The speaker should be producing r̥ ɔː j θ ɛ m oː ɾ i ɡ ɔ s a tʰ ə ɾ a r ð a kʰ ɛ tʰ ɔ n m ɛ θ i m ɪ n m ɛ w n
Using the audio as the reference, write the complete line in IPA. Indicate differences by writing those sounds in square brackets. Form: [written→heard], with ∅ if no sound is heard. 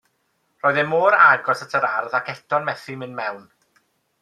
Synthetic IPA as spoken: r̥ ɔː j [θ→ð] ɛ m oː ɾ [i→a] ɡ ɔ s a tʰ ə ɾ a r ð a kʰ ɛ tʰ ɔ n m ɛ θ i m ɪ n m ɛ w n